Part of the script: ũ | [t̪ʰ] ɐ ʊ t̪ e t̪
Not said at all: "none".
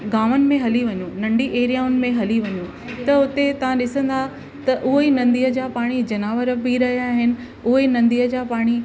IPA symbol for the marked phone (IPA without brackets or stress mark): t̪